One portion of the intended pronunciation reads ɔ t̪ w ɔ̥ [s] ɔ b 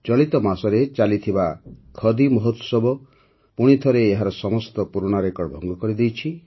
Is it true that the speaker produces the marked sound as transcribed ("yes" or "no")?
yes